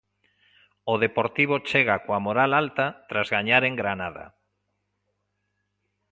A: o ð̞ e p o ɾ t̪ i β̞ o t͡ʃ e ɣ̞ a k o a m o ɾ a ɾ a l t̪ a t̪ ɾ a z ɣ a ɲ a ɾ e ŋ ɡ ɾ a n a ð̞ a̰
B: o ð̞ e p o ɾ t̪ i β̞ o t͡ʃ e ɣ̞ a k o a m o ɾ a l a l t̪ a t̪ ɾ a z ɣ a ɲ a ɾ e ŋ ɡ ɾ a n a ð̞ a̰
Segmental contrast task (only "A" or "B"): B